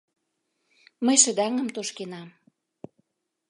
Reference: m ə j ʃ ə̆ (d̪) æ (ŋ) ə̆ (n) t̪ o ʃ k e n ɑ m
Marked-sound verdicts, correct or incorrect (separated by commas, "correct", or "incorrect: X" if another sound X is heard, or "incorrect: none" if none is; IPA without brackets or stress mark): correct, correct, incorrect: m